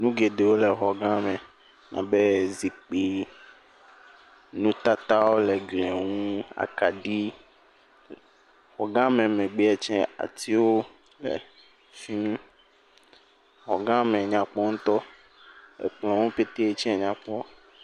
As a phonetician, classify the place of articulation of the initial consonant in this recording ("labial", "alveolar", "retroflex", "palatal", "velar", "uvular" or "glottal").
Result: alveolar